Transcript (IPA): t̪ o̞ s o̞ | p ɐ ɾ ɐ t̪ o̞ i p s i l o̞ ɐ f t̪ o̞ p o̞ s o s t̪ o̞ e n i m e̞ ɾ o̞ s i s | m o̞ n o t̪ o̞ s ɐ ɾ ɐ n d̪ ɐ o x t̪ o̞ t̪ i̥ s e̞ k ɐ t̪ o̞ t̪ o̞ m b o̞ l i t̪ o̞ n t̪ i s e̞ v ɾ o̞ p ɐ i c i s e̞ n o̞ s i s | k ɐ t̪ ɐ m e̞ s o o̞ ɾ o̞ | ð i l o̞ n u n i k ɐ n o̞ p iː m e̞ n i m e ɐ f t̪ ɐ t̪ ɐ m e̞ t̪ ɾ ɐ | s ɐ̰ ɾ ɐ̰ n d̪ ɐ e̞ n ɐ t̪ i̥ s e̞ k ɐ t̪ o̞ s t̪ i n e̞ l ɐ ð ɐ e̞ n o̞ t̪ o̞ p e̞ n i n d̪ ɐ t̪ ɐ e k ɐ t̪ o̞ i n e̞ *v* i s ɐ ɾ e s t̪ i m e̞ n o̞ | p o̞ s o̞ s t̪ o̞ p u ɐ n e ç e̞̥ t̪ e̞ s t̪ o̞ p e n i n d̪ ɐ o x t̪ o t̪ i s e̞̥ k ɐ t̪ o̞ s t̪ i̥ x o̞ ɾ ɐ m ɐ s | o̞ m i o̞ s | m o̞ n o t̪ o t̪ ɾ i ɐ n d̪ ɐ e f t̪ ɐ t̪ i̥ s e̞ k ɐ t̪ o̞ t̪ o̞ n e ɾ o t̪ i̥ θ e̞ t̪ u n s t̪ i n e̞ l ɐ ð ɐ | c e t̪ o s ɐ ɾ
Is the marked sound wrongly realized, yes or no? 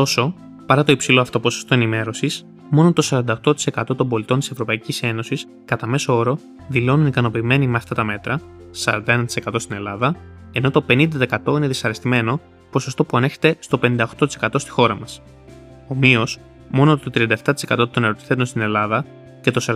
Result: yes